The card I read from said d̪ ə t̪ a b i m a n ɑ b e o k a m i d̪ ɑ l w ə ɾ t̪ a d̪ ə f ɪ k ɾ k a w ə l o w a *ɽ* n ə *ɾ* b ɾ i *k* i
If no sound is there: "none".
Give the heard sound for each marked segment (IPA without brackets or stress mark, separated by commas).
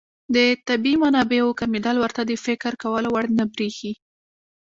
ɽ, none, x